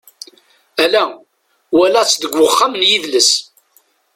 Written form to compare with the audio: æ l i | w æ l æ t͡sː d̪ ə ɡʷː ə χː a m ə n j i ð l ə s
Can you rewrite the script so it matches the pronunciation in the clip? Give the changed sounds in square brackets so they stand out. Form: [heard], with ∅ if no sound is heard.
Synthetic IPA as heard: æ l [æ] | w æ l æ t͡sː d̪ ə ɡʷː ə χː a m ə n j i ð l ə s

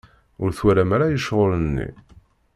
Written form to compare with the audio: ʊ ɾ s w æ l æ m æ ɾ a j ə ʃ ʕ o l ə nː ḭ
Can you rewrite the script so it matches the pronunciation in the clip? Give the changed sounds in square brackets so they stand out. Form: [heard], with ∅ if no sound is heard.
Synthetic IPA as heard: ʊ ɾ [θ] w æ [ɾ] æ m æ ɾ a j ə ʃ [ʁ] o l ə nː ḭ

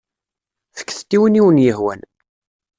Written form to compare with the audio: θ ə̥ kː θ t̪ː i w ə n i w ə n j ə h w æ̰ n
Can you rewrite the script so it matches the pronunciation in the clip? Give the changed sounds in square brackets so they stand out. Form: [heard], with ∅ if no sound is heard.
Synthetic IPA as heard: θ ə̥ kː θ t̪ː i w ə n i w ə n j ə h w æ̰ n

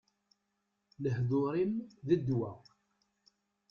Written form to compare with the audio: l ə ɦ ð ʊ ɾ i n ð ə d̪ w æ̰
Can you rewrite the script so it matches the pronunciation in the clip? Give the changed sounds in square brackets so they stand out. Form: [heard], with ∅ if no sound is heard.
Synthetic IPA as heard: l ə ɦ ð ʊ ɾ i [m] ð ə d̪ w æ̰

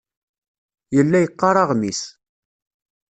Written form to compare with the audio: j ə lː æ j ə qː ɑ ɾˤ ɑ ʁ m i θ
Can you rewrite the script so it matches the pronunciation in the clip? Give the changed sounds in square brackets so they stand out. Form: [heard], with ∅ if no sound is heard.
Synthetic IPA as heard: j ə lː æ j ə qː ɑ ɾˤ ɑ ʁ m i [s]

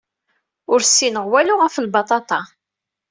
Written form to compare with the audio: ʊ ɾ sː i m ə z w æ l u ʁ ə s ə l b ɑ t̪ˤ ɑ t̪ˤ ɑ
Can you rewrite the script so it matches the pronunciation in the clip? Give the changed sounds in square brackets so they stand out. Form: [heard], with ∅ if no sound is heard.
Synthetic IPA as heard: ʊ ɾ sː i [n] ə [ʁ] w æ l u ʁ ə [f] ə l b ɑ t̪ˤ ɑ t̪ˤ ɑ

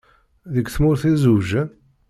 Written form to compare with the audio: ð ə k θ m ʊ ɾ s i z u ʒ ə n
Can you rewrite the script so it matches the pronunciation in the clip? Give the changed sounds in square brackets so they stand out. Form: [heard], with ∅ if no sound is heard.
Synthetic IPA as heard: ð ə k θ m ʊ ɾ [θ] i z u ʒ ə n

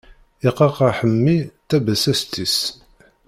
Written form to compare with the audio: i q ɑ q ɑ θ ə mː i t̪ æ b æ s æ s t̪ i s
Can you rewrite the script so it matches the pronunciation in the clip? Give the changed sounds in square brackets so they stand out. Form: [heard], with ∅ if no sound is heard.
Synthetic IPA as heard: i q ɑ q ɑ [ħ] ə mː i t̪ æ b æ s æ s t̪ i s

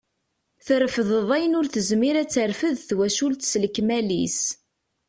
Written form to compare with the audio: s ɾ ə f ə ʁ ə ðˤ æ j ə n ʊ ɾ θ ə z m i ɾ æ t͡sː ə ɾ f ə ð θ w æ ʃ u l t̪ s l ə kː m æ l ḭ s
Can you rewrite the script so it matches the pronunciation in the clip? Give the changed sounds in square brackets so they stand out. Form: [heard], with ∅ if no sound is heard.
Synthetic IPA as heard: [θ] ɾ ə f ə [ð] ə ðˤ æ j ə n ʊ ɾ θ ə z m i ɾ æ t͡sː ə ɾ f ə ð θ w æ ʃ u l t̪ s l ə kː m æ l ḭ s

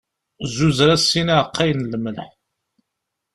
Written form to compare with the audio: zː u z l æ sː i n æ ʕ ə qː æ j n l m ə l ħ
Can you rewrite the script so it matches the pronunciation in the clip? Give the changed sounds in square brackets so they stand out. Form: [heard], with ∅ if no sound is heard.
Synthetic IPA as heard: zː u z [ɾ] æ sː i n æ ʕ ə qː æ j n l m ə l ħ

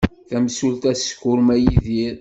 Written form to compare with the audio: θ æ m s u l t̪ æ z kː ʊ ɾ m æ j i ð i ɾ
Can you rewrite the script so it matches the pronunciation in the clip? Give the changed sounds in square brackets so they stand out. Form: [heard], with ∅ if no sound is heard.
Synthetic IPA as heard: θ æ m s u l t̪ æ [s] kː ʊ ɾ m æ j i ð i ɾ

